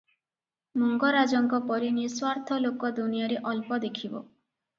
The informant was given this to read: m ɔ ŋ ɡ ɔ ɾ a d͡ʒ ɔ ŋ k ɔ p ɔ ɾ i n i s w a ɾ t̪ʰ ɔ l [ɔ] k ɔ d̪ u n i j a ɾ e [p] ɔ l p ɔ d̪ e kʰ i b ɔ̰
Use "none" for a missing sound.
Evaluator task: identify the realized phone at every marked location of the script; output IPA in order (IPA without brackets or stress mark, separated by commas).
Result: o, ʔ